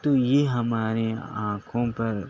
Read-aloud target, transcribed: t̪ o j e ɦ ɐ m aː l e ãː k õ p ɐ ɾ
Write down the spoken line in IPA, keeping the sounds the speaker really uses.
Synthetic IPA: t̪ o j e ɦ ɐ m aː ɾ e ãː kʰ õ p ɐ ɾ